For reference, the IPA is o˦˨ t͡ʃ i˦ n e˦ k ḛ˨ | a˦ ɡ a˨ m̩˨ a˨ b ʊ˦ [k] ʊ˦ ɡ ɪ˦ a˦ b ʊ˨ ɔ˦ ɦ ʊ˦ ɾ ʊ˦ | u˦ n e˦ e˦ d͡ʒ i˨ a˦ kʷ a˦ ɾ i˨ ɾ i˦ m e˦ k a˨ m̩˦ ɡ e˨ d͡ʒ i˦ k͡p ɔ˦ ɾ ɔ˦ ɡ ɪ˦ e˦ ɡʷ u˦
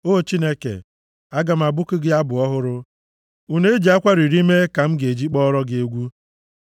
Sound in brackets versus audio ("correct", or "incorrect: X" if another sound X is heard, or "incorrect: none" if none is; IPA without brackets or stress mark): correct